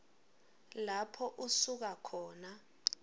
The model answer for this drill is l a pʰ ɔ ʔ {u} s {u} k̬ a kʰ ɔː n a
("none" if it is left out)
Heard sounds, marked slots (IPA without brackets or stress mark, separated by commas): u, u